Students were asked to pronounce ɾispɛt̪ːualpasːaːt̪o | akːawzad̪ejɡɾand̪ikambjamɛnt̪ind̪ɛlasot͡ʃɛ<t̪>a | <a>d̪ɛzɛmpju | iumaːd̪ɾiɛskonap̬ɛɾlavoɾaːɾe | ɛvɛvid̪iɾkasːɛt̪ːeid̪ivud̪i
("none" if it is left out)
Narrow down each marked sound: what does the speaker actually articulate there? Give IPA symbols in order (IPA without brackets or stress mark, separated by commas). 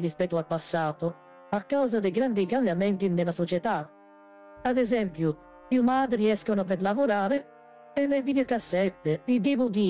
t̪, a